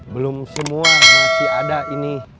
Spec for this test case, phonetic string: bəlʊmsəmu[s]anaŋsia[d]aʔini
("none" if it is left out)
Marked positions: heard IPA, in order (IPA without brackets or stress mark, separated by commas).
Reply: none, d